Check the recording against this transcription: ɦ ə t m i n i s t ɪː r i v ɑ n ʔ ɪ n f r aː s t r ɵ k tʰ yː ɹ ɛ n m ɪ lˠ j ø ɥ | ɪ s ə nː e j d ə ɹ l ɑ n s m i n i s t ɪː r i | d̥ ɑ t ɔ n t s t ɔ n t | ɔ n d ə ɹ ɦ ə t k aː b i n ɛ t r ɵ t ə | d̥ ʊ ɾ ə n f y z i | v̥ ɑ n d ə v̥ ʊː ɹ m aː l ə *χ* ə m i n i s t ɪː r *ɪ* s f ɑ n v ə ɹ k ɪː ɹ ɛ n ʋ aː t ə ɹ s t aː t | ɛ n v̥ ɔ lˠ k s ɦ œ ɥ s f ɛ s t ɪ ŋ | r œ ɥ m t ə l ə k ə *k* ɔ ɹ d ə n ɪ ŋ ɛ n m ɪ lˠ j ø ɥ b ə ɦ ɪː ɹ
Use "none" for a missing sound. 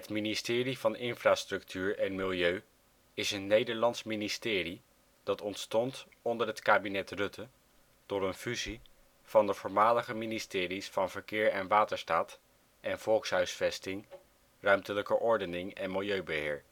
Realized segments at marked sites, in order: χ, i, ʔ

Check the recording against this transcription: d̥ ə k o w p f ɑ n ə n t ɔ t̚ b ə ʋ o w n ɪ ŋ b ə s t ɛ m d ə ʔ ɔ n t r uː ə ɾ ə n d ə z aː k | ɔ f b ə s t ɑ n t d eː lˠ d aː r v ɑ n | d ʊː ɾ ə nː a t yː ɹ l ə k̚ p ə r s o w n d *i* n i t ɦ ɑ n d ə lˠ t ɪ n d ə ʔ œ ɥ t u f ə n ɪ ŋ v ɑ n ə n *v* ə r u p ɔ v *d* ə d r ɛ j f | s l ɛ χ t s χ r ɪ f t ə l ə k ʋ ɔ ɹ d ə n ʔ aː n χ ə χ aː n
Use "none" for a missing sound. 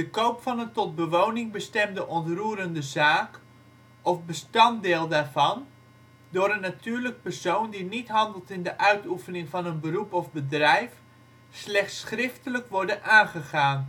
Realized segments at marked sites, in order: i, b, b

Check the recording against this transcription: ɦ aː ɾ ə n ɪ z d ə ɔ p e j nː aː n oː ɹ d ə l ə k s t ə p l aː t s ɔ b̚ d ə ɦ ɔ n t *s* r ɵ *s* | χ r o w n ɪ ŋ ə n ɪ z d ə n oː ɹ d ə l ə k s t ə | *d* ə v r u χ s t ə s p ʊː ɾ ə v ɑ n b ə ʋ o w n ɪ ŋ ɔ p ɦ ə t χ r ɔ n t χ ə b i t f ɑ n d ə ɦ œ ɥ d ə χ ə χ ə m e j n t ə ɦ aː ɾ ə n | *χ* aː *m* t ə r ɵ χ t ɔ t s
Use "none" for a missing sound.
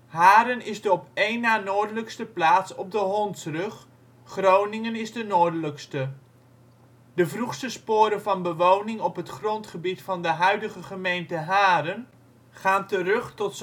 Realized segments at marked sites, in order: s, χ, d, χ, n

